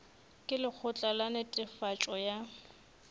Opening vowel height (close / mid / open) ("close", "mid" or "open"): close